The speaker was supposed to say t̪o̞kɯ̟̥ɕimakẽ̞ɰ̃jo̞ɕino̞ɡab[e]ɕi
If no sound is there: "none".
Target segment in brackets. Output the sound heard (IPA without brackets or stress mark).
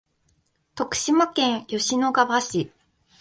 a